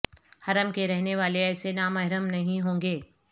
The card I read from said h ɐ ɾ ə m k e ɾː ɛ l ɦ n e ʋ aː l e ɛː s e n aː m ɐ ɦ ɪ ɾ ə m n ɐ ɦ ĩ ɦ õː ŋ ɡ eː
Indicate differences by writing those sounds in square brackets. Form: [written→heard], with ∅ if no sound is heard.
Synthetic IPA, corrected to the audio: h ɐ ɾ ə m k e [ɾː→ɾ] ɛ [l→∅] ɦ n e ʋ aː l e ɛː s e n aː m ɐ ɦ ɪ ɾ ə m n ɐ ɦ ĩ ɦ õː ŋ ɡ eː